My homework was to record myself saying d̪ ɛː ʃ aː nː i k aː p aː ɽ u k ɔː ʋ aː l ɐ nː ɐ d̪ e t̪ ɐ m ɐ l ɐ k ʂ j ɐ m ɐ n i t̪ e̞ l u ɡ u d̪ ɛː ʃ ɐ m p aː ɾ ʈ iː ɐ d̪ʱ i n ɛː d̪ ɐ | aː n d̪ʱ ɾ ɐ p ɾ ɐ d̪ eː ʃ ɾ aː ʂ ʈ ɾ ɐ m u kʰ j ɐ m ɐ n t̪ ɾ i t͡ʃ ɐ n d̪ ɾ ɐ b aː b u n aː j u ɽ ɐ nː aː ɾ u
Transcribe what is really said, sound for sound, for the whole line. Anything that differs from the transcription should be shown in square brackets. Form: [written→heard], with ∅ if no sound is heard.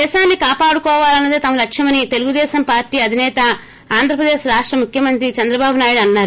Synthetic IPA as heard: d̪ ɛː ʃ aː nː i k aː p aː ɽ u k ɔː ʋ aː l ɐ nː ɐ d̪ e t̪ ɐ m ɐ l ɐ k ʂ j ɐ m ɐ n i t̪ e̞ l u ɡ u d̪ ɛː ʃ ɐ m p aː ɾ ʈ iː ɐ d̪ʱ i n ɛː [d̪→t̪] ɐ | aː n d̪ʱ ɾ ɐ p ɾ ɐ d̪ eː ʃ ɾ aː ʂ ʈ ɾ ɐ m u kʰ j ɐ m ɐ n t̪ ɾ i t͡ʃ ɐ n d̪ ɾ ɐ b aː b u n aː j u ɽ ɐ nː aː ɾ u